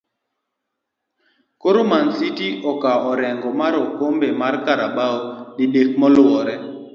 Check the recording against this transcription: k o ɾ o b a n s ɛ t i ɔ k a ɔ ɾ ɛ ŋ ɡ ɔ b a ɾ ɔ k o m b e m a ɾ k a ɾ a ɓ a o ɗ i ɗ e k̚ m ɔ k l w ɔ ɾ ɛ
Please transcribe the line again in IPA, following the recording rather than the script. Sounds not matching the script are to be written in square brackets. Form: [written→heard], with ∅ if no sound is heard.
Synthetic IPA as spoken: k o ɾ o [b→m] a n s [ɛ→i] t i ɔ k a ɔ ɾ ɛ ŋ ɡ ɔ [b→m] a ɾ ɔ k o m b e m a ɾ k a ɾ a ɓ a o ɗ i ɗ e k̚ m ɔ [k→∅] l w ɔ ɾ ɛ